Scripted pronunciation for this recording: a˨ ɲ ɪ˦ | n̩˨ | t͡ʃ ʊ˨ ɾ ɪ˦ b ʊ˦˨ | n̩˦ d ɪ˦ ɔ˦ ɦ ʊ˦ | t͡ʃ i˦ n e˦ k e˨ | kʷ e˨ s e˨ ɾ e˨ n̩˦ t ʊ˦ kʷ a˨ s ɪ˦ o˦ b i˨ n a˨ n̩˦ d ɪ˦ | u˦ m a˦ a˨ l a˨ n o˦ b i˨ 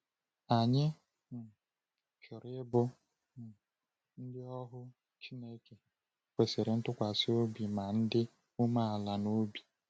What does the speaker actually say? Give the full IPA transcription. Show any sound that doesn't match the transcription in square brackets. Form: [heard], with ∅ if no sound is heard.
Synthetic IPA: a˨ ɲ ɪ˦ | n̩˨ | t͡ʃ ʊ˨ ɾ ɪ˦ b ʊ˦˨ | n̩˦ d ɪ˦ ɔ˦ ɦ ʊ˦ | t͡ʃ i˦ n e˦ k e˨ | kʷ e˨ s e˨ ɾ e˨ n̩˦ t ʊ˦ kʷ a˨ s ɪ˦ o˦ b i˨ [m] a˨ n̩˦ d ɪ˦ | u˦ m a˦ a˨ l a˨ n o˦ b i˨